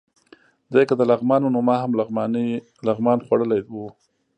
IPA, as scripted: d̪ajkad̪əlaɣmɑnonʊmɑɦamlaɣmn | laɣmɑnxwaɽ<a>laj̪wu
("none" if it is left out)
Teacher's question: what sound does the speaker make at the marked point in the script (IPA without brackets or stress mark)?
ə